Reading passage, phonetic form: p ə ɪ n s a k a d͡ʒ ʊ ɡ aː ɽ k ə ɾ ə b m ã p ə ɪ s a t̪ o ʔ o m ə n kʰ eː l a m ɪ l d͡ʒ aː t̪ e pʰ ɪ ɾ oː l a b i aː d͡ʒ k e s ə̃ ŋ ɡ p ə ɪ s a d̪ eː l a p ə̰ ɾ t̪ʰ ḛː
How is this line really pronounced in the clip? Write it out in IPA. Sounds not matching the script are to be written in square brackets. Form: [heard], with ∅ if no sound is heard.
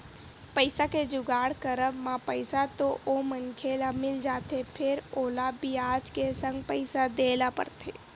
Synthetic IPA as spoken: p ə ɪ [∅] s a k [e] d͡ʒ ʊ ɡ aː ɽ k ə ɾ ə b m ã p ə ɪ s a t̪ o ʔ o m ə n kʰ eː l a m ɪ l d͡ʒ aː t̪ e pʰ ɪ ɾ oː l a b i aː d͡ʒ k e s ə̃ ŋ ɡ p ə ɪ s a d̪ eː l a p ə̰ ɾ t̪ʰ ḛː